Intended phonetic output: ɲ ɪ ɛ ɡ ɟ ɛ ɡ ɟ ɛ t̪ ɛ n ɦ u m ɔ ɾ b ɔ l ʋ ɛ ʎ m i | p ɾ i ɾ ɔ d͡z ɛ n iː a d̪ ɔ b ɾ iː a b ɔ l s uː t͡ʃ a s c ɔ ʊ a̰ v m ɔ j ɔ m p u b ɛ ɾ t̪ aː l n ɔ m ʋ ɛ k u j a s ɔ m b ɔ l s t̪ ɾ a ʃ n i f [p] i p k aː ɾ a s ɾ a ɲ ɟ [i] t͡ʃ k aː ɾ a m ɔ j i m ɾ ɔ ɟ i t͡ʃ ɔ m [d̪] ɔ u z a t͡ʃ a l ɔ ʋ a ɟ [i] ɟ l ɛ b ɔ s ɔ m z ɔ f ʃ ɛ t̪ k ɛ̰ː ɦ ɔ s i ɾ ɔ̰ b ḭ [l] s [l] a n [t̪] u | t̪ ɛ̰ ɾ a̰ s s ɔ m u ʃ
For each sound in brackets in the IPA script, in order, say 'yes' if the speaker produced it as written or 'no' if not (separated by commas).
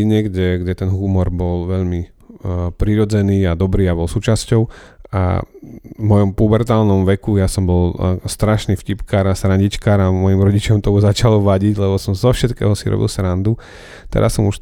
no, yes, no, yes, yes, no, no